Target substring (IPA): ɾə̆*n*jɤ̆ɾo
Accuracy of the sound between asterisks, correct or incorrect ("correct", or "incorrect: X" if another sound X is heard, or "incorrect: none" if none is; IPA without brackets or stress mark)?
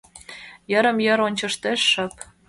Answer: incorrect: m